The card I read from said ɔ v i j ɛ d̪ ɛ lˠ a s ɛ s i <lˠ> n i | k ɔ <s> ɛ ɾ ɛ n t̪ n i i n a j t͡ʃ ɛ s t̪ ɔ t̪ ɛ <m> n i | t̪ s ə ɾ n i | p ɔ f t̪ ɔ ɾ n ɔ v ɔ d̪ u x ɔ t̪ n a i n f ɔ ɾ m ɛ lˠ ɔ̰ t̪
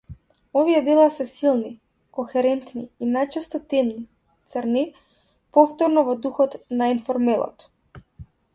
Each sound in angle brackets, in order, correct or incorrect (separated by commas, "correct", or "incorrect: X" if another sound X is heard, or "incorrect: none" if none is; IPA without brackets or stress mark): correct, incorrect: x, correct